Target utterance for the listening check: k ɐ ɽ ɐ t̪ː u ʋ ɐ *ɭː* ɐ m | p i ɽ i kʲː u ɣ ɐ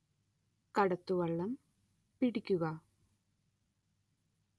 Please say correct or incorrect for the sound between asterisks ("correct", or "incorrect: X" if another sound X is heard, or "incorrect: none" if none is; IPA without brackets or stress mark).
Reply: correct